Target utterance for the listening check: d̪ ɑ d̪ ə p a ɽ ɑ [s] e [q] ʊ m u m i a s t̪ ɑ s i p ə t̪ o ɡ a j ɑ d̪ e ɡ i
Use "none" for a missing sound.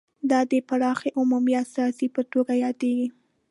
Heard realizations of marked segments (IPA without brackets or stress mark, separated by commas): x, ʔ